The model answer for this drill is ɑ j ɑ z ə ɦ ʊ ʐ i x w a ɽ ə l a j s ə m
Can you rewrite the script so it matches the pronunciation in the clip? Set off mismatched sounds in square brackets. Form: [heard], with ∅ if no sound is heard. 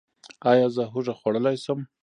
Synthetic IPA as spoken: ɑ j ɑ z ə ɦ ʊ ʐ [a] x w a ɽ ə l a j s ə m